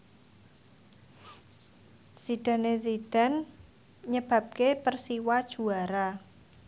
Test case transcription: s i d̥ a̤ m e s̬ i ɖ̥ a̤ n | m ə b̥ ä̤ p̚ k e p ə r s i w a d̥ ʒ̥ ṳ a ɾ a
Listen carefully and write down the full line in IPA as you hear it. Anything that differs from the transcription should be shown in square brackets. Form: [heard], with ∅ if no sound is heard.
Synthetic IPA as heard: s i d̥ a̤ [n] e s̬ i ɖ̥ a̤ n | [ɲ] ə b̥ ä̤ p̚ k e p ə r s i w a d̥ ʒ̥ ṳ a ɾ a